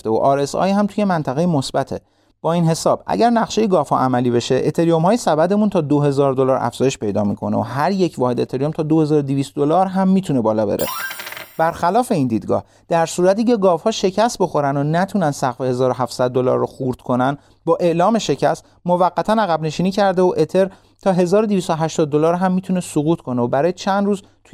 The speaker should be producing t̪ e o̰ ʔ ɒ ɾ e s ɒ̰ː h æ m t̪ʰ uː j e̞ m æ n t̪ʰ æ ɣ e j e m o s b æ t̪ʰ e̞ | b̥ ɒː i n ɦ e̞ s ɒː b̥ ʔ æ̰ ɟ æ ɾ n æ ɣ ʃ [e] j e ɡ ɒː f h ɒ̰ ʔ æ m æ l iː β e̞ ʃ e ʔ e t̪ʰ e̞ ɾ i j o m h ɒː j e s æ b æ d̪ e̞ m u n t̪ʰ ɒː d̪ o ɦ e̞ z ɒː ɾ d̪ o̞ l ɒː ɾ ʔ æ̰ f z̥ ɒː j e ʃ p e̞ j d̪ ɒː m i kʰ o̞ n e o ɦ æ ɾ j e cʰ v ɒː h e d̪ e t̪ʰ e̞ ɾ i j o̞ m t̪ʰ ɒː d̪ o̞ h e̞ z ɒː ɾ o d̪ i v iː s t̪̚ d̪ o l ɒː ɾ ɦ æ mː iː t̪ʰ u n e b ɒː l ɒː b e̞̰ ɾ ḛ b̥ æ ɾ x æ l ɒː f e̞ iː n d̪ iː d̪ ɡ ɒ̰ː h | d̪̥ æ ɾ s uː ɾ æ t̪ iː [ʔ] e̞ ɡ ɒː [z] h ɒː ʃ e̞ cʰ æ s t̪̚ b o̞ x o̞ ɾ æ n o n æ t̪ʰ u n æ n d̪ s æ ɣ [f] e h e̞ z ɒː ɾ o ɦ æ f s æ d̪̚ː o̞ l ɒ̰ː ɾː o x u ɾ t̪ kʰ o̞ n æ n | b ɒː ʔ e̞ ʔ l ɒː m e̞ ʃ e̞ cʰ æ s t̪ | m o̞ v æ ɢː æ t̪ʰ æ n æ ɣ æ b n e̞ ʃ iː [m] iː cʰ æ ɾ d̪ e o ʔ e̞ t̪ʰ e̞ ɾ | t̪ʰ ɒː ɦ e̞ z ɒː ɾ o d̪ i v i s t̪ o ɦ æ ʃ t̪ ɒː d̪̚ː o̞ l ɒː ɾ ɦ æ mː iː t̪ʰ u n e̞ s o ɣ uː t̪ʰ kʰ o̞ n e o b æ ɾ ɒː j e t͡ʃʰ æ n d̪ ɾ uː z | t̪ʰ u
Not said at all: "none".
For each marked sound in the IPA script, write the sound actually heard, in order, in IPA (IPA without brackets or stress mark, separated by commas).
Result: e, c, v, f, n